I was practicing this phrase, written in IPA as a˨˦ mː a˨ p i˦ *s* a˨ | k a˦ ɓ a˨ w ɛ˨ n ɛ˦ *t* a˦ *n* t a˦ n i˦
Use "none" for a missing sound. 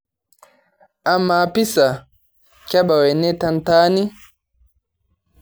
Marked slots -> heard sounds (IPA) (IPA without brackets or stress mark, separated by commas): s, t, n